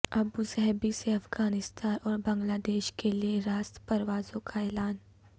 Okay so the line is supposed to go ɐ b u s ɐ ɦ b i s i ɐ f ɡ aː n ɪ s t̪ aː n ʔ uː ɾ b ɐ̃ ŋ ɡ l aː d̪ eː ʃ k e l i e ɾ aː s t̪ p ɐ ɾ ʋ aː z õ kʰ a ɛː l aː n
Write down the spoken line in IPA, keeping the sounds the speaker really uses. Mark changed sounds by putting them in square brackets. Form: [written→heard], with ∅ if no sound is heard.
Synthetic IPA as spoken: ɐ b u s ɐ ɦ b i s [i→e] ɐ f ɡ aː n ɪ s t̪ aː n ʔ [uː→ɔː] ɾ b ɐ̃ ŋ ɡ l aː d̪ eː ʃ k e l i e ɾ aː s t̪ p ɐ ɾ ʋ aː z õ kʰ a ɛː l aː n

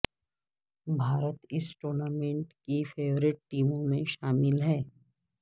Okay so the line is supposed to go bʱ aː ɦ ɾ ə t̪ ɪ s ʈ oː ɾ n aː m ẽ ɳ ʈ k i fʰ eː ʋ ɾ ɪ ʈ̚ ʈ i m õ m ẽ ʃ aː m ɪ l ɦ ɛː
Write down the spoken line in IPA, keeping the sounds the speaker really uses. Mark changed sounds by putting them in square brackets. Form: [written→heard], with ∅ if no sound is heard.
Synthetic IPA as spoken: bʱ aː [ɦ→∅] ɾ ə t̪ ɪ s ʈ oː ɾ n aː m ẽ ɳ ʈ k i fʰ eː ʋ ɾ ɪ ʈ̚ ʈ [i→iː] m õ m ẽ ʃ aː m ɪ l ɦ ɛː

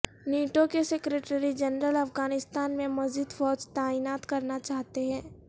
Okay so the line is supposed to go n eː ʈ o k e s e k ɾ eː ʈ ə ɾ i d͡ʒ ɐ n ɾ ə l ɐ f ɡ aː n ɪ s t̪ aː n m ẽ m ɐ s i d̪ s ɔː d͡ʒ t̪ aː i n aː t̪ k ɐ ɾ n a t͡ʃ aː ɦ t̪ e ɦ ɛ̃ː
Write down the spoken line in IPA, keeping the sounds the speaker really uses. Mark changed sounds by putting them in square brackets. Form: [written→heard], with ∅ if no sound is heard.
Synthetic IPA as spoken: n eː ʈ o k e s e k ɾ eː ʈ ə ɾ i d͡ʒ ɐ n ɾ ə l ɐ f ɡ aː n ɪ s t̪ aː n m ẽ m ɐ [s→z] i d̪ [s→f] ɔː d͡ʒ t̪ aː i n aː t̪ k ɐ ɾ n a t͡ʃ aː ɦ t̪ e ɦ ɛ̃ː

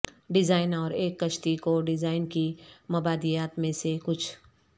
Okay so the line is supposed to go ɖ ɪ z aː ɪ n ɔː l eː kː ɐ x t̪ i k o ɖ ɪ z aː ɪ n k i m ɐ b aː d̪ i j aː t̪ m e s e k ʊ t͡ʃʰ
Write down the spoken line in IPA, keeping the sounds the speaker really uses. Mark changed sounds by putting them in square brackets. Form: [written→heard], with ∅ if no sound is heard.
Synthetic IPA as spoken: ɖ ɪ z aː ɪ n ɔː [l→ɾ] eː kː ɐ [x→ʃ] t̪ i k o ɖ ɪ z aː ɪ n k i m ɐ b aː d̪ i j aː t̪ m [e→ẽ] s e k ʊ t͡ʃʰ

